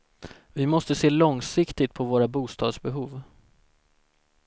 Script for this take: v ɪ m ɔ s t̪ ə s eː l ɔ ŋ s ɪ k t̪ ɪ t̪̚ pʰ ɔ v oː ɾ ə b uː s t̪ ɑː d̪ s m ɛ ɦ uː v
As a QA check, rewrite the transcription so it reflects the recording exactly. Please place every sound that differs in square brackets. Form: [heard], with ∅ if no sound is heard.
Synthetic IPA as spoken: v ɪ m ɔ s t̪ ə s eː l ɔ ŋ s ɪ k t̪ ɪ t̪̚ pʰ ɔ v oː ɾ [a] b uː s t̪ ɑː d̪ s [b] ɛ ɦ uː v

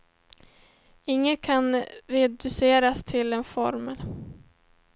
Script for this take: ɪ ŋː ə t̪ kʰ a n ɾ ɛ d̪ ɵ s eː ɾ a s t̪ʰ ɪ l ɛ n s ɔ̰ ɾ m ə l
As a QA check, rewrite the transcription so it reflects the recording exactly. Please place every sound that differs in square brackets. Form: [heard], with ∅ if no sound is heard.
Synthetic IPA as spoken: ɪ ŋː ə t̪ kʰ a n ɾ ɛ d̪ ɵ s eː ɾ a s t̪ʰ ɪ l ɛ n [f] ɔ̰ ɾ m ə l

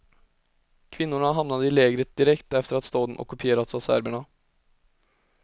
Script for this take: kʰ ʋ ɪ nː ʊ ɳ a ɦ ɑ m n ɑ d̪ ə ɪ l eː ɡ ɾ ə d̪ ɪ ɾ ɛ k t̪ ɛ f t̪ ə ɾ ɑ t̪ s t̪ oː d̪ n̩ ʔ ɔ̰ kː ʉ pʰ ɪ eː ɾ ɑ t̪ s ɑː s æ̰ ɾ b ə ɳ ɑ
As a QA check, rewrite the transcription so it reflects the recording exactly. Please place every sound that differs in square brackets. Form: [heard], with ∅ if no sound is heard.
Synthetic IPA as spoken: kʰ ʋ ɪ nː ʊ ɳ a ɦ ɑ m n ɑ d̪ ə ɪ l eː ɡ ɾ ə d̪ ɪ ɾ ɛ k t̪ ɛ f t̪ ə ɾ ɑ t̪ s t̪ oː d̪ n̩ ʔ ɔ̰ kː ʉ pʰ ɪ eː ɾ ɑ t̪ s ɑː s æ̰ ɾ b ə ɳ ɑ

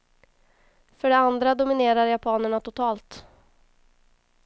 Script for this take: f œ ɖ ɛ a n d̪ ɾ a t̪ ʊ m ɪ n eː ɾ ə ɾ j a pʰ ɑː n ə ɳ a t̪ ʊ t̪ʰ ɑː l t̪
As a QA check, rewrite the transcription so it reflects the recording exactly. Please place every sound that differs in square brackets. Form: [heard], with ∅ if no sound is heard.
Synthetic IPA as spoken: f œ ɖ ɛ a n d̪ ɾ a [d̪] ʊ m ɪ n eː ɾ [a] ɾ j a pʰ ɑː n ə ɳ a t̪ ʊ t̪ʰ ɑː l t̪

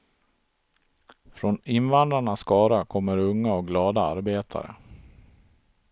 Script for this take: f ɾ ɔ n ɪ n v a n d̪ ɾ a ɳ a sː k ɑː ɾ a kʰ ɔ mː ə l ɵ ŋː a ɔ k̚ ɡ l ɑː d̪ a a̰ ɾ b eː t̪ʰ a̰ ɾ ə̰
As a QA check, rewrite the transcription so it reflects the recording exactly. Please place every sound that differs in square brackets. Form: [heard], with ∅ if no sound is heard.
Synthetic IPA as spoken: f ɾ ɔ n ɪ n v a n d̪ ɾ a ɳ a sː k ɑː ɾ a kʰ ɔ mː ə [ɾ] ɵ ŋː a ɔ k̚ ɡ l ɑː d̪ a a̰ ɾ b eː t̪ʰ a̰ ɾ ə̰

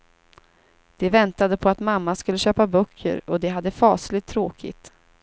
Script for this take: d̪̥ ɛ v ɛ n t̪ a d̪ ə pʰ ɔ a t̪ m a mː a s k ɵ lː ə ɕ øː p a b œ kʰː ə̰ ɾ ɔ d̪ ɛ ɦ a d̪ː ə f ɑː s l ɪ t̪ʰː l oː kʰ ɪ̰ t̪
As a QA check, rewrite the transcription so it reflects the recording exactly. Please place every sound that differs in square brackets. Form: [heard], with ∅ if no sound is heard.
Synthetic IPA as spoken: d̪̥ ɛ v ɛ n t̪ a d̪ ə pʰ ɔ a t̪ m a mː a s k ɵ lː ə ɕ øː p a b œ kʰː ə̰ ɾ ɔ d̪ ɛ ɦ a d̪ː ə f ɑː s l ɪ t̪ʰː [ɾ] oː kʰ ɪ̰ t̪

